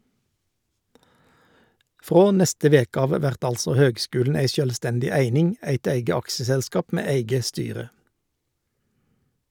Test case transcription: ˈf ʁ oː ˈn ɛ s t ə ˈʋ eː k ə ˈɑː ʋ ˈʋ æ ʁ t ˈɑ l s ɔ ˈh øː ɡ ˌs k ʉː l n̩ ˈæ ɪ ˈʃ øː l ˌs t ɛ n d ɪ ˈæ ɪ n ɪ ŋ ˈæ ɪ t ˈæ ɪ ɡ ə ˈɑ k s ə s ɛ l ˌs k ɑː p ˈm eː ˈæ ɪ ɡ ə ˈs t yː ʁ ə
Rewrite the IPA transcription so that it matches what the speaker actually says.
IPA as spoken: ˈf ʁ oː ˈn ɛ s t ə ˈʋ eː k ə ˈɑː ʋ ˈʋ æ ʁ t ˈɑ l s ɔ ˈh øː ɡ ˌs k ʉː l n̩ ˈæ ɪ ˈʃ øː l ˌs t ɛ n d ɪ ˈæ ɪ n ɪ ŋ ˈæ ɪ t ˈæ ɪ ɡ ə ˈɑ k s ə s ɛ l ˌs k ɑː p ˈm eː ˈæ ɪ ɡ ə ˈs t yː ʁ ə